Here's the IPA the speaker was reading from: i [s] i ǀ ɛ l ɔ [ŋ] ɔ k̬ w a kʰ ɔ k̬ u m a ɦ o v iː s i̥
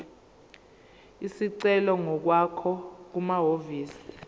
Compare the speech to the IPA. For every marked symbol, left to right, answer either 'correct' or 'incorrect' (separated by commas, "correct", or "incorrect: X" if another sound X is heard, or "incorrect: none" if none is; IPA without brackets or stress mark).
correct, correct